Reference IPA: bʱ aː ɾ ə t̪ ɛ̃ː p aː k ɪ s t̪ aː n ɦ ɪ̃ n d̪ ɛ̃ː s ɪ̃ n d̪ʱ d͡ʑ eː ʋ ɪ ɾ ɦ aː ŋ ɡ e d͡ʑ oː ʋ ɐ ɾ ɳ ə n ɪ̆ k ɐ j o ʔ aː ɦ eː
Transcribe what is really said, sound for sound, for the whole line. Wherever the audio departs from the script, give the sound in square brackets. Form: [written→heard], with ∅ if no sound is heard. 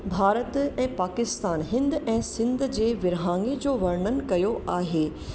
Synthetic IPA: bʱ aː ɾ ə t̪ ɛ̃ː p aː k ɪ s t̪ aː n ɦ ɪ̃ n d̪ ɛ̃ː s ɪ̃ n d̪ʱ d͡ʑ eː ʋ ɪ ɾ ɦ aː ŋ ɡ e d͡ʑ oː ʋ ɐ ɾ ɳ ə n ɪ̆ k ɐ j o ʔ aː ɦ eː